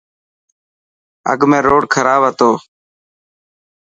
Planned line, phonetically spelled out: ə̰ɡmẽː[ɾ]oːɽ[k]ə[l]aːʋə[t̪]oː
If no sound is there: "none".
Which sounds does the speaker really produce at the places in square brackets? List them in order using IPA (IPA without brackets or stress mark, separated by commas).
ɾ, kʰ, ɾ, t̪